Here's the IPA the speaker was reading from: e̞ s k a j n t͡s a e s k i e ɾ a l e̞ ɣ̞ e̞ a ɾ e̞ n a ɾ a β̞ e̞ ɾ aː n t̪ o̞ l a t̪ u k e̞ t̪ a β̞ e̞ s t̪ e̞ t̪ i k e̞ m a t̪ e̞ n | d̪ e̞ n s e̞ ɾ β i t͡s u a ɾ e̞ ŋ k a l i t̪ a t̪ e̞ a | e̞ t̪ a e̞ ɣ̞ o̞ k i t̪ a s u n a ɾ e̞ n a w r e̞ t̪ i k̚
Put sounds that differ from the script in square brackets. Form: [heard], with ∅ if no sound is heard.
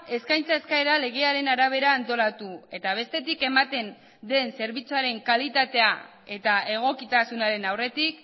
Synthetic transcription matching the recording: e̞ s k a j n t͡s a e s k [a] e ɾ a l e̞ ɣ̞ e̞ a ɾ e̞ n a ɾ a β̞ e̞ ɾ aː n t̪ o̞ l a t̪ u [∅] e̞ t̪ a β̞ e̞ s t̪ e̞ t̪ i k e̞ m a t̪ e̞ n | d̪ e̞ n s e̞ ɾ β i t͡s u a ɾ e̞ ŋ k a l i t̪ a t̪ e̞ a | e̞ t̪ a e̞ ɣ̞ o̞ k i t̪ a s u n a ɾ e̞ n a w r e̞ t̪ i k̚